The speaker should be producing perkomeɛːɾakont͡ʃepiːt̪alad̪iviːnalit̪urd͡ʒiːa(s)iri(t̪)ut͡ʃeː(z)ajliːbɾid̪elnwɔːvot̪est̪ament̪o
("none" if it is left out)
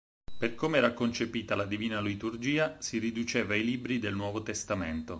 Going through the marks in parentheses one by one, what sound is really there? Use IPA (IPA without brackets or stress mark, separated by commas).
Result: s, d̪, v